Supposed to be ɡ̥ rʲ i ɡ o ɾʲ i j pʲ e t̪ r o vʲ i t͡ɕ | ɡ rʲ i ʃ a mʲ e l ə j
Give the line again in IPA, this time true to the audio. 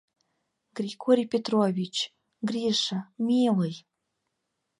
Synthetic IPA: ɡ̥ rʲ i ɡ o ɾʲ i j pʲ e t̪ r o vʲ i t͡ɕ | ɡ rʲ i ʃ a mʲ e l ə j